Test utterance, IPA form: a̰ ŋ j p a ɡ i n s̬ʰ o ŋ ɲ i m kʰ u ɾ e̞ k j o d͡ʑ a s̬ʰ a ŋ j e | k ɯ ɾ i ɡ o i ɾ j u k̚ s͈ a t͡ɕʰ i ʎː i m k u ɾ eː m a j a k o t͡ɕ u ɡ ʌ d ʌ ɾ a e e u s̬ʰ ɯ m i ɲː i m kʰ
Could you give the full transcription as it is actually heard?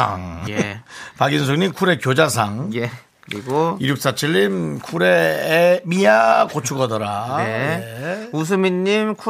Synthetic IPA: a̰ ŋ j p a ɡ i n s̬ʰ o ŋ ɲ i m kʰ u ɾ e̞ k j o d͡ʑ a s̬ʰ a ŋ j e | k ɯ ɾ i ɡ o i ɾ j u k̚ s͈ a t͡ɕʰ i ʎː i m kʰ u ɾ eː m i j a k o t͡ɕʰ u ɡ ʌ d ʌ ɾ a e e u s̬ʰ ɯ m i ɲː i m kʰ